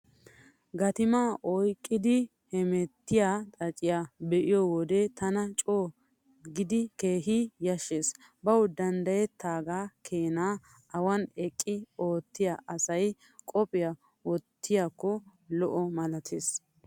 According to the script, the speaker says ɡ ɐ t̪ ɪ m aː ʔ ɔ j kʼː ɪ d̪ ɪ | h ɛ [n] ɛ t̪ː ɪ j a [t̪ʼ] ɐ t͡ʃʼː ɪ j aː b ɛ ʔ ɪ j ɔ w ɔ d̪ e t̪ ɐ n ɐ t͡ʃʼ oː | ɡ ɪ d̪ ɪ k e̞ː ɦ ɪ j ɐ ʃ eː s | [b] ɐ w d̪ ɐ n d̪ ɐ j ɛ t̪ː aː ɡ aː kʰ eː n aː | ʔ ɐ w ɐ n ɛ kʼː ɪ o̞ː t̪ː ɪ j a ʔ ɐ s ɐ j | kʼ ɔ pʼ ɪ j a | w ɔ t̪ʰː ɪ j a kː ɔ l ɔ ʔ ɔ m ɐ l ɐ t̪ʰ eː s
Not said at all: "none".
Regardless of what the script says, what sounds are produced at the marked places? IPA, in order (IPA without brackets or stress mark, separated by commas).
m, t̪ʼ, b